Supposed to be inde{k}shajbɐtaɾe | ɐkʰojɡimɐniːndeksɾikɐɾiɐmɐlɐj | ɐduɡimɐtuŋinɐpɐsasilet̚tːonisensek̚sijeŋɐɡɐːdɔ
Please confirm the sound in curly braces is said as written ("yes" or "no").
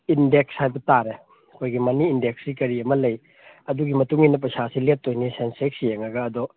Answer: yes